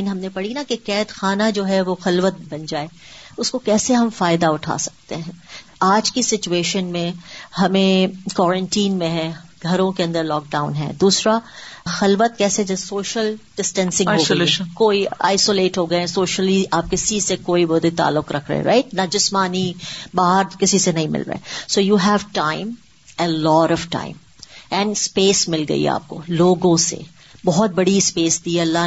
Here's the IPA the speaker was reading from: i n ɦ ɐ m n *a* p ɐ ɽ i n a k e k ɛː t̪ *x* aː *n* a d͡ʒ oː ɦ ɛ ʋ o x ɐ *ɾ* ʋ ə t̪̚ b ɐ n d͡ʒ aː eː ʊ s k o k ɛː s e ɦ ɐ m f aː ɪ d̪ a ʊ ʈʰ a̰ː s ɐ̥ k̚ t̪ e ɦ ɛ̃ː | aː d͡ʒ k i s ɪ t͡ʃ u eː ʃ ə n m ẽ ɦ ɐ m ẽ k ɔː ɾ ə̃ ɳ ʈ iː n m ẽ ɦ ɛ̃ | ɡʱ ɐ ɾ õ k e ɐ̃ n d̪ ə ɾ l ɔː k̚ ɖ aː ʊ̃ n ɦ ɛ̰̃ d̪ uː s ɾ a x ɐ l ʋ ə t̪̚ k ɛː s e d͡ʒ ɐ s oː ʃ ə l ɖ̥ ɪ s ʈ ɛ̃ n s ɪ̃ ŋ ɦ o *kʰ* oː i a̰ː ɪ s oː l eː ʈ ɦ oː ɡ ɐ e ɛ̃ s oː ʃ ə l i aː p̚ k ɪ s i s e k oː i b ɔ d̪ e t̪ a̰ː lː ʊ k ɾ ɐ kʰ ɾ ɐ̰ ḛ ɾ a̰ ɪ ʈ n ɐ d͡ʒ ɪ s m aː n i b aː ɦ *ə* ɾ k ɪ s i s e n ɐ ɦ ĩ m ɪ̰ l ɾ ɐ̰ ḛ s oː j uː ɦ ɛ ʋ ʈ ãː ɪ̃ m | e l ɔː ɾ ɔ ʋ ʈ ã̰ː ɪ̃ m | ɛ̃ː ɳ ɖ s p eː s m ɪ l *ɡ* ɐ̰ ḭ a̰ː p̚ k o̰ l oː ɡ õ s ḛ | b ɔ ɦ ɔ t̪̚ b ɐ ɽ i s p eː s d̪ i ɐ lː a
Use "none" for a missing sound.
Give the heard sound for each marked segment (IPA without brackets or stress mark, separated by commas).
e, x, n, l, k, ə, ɡ